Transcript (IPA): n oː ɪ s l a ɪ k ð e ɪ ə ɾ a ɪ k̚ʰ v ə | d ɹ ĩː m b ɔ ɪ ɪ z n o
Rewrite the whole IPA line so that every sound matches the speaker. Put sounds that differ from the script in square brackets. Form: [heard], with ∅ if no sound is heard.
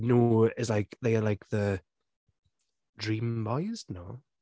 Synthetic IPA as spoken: n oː ɪ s l a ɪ k ð e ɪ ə [l] a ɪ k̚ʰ [ð] ə | d ɹ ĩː m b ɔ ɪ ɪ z n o